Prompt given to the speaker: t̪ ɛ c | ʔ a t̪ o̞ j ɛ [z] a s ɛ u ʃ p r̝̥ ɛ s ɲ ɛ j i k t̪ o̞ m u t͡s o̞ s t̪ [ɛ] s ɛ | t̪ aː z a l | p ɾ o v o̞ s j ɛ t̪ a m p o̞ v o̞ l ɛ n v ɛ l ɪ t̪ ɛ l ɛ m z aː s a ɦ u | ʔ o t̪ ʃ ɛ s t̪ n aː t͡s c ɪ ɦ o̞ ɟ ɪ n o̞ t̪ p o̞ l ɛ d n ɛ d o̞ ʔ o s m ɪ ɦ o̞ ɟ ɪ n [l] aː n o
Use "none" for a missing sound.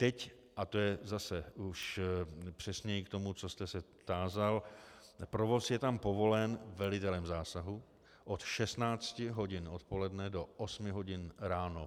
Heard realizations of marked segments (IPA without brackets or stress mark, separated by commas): z, ɛ, ɾ